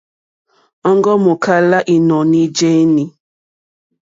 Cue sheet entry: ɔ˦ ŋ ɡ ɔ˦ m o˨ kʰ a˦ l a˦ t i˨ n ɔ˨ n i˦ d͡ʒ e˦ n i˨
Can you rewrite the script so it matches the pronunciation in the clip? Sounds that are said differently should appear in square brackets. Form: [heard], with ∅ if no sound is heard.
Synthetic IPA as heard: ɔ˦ ŋ ɡ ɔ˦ m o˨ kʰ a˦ l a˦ [ʔ] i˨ n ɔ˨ n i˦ d͡ʒ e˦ n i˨